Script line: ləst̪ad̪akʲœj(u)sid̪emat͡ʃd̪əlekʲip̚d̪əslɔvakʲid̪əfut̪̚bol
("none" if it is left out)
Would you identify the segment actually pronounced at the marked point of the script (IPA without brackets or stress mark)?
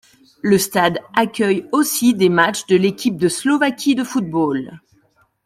o